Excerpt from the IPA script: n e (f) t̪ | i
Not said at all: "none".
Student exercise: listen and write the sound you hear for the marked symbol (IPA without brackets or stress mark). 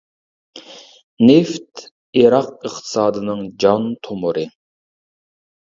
f